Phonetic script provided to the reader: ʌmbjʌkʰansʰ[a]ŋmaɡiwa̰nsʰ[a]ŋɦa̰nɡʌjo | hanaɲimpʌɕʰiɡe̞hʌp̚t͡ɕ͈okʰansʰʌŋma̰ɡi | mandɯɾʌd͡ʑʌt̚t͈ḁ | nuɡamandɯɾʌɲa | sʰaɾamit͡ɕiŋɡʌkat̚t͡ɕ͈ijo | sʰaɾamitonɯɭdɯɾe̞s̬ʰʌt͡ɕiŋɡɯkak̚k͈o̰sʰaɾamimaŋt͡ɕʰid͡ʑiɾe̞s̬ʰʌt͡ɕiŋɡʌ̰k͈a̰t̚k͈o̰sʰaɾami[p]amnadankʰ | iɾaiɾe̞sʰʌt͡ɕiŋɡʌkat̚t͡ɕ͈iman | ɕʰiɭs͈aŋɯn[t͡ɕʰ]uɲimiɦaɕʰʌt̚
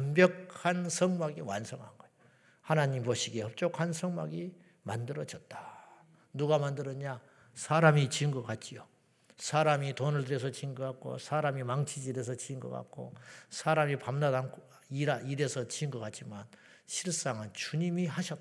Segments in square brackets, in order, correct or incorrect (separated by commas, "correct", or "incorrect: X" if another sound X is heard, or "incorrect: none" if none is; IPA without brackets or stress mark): incorrect: ʌ, incorrect: ʌ, correct, incorrect: t͡ɕ